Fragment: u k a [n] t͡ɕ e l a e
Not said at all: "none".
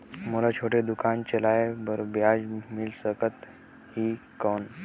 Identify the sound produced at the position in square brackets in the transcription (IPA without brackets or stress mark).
n